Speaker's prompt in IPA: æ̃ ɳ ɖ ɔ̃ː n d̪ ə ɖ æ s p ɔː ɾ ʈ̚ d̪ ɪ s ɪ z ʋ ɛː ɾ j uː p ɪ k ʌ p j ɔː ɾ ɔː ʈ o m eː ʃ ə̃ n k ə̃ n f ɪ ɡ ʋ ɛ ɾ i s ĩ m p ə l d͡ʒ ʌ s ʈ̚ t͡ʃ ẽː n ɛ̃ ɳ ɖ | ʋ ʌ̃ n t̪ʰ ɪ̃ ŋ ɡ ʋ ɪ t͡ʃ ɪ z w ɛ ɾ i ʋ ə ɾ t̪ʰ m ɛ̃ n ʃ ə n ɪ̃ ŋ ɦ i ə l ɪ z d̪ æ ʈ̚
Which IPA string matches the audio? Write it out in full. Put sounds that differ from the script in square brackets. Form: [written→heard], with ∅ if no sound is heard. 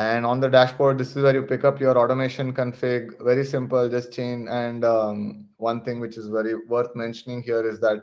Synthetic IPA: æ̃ ɳ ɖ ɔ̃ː n d̪ ə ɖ æ [s→ʃ] p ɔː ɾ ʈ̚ d̪ ɪ s ɪ z ʋ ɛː ɾ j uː p ɪ k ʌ p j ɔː ɾ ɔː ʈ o m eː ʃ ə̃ n k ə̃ n f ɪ ɡ ʋ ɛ ɾ i s [ĩ→ɪ̃] m p ə l d͡ʒ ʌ s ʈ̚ t͡ʃ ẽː n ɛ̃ ɳ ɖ | ʋ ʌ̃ n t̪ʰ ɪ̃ ŋ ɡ ʋ ɪ t͡ʃ ɪ z [w→ʋ] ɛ ɾ i ʋ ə ɾ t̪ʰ m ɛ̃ n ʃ ə n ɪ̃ ŋ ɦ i ə [l→ɾ] ɪ z d̪ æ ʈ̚